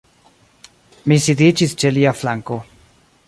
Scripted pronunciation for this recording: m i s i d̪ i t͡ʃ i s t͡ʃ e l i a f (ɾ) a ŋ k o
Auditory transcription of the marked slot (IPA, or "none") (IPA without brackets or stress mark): l